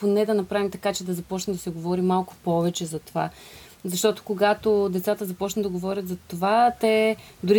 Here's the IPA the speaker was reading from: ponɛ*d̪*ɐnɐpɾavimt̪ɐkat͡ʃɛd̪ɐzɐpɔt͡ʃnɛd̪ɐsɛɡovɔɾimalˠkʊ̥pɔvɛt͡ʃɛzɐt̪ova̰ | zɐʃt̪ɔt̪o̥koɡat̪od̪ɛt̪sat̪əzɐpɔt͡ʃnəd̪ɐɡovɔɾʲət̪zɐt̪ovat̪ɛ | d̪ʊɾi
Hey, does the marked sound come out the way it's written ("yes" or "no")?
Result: yes